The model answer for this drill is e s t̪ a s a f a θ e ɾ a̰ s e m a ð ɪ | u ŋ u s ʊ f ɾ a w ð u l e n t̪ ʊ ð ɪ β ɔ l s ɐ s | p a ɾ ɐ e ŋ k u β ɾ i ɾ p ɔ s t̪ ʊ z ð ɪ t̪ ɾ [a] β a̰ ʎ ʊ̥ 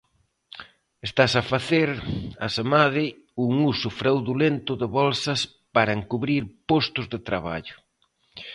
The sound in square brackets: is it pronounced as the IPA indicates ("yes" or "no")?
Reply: yes